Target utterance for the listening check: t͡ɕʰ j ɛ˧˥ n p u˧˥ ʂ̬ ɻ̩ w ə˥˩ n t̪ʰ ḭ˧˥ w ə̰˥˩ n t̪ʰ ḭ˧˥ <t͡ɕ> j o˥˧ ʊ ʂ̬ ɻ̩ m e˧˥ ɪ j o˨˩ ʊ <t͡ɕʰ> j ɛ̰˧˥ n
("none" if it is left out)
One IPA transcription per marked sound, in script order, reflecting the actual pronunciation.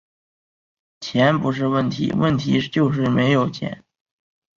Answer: t͡ɕ, t͡ɕʰ

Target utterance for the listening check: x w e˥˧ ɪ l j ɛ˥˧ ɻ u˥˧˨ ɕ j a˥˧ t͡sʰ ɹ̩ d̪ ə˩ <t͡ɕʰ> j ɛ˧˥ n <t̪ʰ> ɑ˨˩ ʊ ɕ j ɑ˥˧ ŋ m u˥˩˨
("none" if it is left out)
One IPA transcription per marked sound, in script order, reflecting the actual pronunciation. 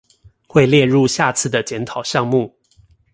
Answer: t͡ɕ, t̪ʰ

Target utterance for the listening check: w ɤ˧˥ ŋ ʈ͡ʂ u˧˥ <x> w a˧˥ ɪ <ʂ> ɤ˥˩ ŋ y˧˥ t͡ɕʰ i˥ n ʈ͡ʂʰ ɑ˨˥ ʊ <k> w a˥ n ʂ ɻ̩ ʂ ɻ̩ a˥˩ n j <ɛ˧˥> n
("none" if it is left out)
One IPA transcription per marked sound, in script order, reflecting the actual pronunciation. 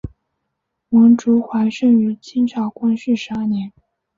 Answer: x, ʂ, k, ɛ˧˥

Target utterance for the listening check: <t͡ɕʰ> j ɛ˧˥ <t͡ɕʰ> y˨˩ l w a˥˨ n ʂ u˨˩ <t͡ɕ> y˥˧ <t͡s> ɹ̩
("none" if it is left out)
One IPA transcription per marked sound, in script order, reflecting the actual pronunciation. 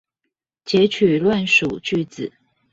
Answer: t͡ɕ, t͡ɕʰ, t͡ɕ, t͡s

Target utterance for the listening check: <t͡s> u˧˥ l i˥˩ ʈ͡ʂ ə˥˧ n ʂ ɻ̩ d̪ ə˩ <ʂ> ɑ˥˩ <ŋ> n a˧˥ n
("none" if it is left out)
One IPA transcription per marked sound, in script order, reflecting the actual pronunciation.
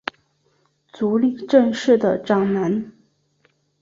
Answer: t͡s, ʈ͡ʂ, ŋ

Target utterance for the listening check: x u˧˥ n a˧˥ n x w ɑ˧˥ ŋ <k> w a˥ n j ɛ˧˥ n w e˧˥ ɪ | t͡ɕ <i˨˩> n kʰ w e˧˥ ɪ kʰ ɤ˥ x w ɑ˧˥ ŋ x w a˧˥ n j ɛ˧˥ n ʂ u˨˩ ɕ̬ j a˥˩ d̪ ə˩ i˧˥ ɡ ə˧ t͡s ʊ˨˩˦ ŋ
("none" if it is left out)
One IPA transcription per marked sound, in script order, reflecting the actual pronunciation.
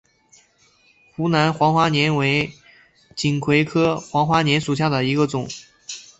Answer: x, i˨˩

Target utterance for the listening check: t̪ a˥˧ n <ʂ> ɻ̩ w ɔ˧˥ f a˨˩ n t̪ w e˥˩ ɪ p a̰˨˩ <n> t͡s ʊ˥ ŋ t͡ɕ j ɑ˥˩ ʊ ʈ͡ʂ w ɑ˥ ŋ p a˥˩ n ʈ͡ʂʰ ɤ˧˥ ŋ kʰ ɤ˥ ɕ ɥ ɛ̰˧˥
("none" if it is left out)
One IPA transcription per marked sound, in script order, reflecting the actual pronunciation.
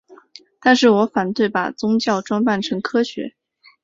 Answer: ʂ, none

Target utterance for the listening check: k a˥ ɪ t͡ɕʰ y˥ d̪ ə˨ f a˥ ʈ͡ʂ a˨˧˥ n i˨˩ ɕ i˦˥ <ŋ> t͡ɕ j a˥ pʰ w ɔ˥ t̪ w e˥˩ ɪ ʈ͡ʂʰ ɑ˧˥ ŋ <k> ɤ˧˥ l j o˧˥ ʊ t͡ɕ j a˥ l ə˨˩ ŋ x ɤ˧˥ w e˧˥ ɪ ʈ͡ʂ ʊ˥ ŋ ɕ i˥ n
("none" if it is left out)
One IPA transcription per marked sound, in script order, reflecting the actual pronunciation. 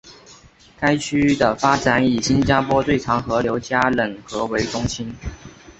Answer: n, x

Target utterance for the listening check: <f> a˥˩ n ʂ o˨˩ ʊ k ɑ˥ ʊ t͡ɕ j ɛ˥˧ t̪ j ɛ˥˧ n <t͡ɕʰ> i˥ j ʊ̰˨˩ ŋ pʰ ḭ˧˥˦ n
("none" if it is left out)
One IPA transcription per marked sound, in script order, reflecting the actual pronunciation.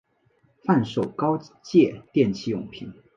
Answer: f, t͡ɕʰ

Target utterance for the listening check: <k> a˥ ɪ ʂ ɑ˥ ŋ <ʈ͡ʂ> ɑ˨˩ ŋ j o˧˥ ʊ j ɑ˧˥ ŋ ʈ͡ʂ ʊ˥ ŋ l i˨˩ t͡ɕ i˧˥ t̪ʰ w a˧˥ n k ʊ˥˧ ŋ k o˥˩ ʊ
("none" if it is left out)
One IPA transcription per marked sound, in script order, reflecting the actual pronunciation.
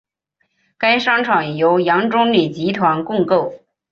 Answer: k, ʈ͡ʂʰ

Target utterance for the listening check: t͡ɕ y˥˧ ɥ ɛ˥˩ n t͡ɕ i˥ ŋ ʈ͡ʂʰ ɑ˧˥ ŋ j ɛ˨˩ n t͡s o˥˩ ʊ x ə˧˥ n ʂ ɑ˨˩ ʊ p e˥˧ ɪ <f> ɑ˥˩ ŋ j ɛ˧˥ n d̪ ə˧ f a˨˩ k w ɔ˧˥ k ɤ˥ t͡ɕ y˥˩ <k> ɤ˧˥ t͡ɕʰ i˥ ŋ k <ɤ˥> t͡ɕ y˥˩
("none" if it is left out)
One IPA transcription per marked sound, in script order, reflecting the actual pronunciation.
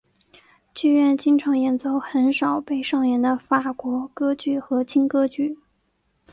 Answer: ʂ, x, ɤ˥

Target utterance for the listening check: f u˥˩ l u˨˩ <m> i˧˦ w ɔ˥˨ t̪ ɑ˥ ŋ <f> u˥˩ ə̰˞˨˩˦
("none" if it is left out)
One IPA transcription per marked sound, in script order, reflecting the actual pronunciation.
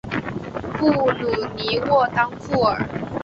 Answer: n, f

